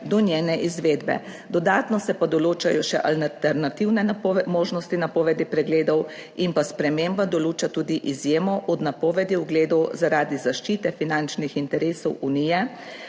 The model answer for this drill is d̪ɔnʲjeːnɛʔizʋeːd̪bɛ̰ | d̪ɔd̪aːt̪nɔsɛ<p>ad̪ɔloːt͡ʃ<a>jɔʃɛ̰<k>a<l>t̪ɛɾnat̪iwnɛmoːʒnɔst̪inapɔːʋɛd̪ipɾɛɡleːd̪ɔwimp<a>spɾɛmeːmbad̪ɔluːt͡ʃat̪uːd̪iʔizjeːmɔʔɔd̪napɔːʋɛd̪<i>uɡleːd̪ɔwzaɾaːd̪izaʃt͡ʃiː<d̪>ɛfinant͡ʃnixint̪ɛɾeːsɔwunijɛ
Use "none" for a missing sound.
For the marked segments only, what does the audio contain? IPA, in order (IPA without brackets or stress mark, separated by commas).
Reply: p, a, ʔ, l, a, i, t̪